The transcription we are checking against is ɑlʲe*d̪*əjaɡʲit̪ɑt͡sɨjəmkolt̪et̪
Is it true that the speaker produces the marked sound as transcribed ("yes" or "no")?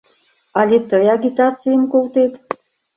no